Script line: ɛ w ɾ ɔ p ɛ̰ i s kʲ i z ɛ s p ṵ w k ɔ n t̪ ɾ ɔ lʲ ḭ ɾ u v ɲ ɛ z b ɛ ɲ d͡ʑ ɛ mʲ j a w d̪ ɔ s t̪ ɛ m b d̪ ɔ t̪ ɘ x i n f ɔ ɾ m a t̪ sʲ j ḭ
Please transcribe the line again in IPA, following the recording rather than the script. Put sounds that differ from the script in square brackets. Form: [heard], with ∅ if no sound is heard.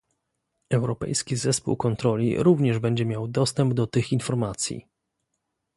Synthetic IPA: ɛ w ɾ ɔ p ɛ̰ [j] s kʲ i z ɛ s p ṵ w k ɔ n t̪ ɾ ɔ lʲ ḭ ɾ u v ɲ ɛ [ʐ] b ɛ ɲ d͡ʑ ɛ mʲ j a w d̪ ɔ s t̪ ɛ m b d̪ ɔ t̪ ɘ x i n f ɔ ɾ m a t̪ sʲ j ḭ